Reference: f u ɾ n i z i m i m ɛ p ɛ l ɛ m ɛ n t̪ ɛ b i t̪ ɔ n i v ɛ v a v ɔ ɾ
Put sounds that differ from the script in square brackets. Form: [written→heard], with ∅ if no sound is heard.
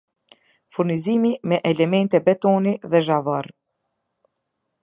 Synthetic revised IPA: f u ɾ n i z i m i m ɛ [p→ʔ] ɛ l ɛ m ɛ n t̪ ɛ b [i→ɛ] t̪ ɔ n i [v→ð] ɛ [v→ʒ] a v ɔ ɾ